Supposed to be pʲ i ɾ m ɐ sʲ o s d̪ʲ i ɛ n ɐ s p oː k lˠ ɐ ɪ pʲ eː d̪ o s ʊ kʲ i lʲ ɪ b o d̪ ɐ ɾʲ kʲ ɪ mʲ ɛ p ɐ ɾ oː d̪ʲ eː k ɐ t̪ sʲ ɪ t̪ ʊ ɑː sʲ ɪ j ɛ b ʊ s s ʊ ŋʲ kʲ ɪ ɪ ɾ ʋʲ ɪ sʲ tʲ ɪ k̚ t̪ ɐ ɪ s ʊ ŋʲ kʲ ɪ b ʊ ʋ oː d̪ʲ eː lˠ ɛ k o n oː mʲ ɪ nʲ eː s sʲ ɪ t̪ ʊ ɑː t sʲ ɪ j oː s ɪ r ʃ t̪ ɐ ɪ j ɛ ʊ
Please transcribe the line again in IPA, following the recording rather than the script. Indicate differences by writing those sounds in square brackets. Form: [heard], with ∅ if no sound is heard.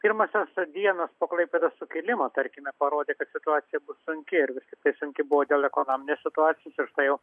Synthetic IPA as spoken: pʲ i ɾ m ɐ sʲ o s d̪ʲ i ɛ n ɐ s p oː k lˠ ɐ ɪ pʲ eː d̪ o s ʊ kʲ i lʲ ɪ [m] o [t̪] ɐ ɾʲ kʲ ɪ mʲ ɛ p ɐ ɾ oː d̪ʲ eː k ɐ t̪ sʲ ɪ t̪ ʊ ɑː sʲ ɪ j ɛ b ʊ s s ʊ ŋʲ kʲ ɪ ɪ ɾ ʋʲ ɪ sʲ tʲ ɪ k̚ t̪ ɐ ɪ s ʊ ŋʲ kʲ ɪ b ʊ ʋ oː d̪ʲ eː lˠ ɛ k o n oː mʲ ɪ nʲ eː s sʲ ɪ t̪ ʊ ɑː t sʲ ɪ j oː s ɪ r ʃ t̪ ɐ ɪ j ɛ ʊ